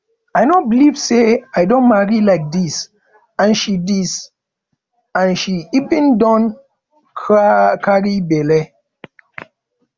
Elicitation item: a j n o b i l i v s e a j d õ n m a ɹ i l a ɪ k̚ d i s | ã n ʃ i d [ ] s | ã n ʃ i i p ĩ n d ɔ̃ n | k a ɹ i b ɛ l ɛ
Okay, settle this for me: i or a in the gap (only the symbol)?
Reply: i